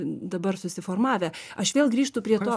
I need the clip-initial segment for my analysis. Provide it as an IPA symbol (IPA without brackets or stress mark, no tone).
d̪